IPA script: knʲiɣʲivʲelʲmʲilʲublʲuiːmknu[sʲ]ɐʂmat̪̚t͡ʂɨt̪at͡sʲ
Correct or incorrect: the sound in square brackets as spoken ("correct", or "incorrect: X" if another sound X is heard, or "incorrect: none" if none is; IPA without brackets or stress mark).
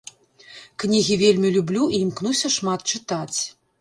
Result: correct